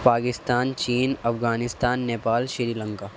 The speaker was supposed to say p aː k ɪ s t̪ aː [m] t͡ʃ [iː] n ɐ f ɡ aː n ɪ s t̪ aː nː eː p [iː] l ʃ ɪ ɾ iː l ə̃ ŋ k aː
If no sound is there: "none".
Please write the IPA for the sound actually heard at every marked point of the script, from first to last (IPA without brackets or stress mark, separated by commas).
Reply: n, iː, aː